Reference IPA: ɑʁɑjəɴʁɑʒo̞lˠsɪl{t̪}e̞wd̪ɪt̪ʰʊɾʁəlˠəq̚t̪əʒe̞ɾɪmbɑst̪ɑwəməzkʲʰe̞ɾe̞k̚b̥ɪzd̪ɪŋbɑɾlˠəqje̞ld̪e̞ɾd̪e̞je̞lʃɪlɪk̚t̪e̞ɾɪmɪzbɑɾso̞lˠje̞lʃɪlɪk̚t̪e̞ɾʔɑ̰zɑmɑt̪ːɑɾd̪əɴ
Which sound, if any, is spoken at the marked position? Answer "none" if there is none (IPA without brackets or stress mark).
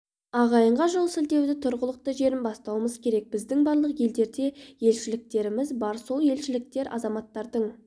d̪